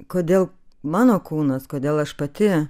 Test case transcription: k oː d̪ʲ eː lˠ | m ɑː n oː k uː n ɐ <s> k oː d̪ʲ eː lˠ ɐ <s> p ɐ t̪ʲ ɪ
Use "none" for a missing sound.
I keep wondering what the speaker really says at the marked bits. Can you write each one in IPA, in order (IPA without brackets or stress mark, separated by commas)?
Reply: s, ʃ